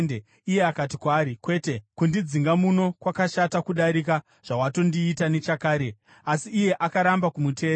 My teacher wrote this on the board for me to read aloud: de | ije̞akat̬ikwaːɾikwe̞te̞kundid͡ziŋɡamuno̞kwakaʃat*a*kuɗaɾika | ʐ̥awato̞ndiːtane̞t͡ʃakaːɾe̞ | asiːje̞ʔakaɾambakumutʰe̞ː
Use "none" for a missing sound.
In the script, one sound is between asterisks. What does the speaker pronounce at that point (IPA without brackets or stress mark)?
a